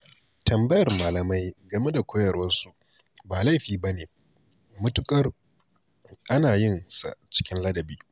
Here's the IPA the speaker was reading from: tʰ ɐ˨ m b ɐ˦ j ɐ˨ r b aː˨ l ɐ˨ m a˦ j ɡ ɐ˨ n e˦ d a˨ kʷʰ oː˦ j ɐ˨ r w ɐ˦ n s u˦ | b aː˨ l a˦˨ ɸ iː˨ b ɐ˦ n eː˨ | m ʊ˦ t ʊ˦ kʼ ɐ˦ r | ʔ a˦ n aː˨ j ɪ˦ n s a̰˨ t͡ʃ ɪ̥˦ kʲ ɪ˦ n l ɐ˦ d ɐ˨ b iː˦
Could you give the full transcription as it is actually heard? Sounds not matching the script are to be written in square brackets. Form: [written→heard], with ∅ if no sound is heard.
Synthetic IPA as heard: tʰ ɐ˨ m b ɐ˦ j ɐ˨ r [b→m] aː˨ l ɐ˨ m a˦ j ɡ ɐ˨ [n→m] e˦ d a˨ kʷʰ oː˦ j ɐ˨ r w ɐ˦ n s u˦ | b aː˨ l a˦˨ ɸ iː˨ b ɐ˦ n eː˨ | m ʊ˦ t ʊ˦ kʼ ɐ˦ r | ʔ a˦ n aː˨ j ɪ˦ n s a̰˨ t͡ʃ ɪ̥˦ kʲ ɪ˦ n l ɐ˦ d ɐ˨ b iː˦